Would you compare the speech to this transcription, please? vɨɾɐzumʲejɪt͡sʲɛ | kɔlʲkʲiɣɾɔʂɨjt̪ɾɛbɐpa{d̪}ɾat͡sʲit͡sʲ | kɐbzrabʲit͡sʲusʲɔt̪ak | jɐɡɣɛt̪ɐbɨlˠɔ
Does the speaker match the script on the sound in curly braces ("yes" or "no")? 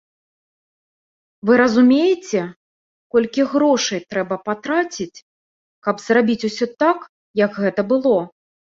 no